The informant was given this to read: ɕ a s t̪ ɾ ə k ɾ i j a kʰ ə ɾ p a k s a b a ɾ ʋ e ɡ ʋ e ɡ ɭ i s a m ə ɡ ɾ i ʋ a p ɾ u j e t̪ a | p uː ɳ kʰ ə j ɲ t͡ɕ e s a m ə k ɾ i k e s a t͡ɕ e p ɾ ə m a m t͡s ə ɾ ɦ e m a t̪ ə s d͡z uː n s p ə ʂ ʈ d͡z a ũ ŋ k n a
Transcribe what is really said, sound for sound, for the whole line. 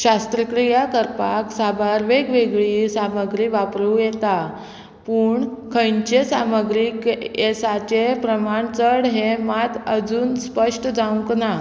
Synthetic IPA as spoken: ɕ a s t̪ ɾ ə k ɾ i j a k ə ɾ p a k s a b a ɾ ʋ e ɡ ʋ e ɡ ɭ i s a m ə ɡ ɾ i ʋ a p ɾ u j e t̪ a | p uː ɳ kʰ ə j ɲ t͡ɕ e s a m ə ɡ ɾ i k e s a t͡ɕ e p ɾ ə m a ɳ t͡s ə ɽ ɦ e m a t̪ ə d͡z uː n s p ə ʂ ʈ d͡z a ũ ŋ k n a